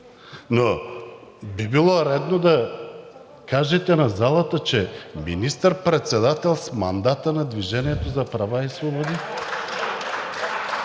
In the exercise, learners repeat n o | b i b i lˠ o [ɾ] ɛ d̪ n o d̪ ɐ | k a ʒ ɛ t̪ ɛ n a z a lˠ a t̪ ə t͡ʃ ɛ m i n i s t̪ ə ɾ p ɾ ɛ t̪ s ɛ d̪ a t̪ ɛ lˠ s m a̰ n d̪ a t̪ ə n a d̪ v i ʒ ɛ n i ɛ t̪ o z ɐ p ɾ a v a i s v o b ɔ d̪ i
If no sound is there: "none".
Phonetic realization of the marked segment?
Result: ɾ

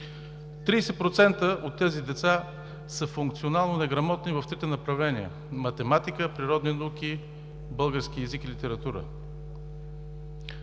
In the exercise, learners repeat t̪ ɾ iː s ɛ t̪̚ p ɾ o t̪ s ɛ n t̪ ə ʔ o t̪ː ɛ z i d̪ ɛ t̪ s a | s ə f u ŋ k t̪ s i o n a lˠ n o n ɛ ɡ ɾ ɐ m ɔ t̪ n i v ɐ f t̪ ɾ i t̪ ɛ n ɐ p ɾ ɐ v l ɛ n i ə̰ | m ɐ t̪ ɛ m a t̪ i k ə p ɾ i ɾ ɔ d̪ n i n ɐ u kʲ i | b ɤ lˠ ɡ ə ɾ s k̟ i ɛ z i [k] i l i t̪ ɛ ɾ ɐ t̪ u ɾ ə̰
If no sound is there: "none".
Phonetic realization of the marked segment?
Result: k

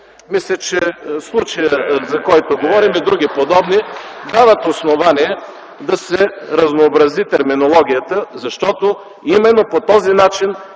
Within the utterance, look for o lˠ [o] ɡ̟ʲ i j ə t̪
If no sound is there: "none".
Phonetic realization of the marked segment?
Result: ɔ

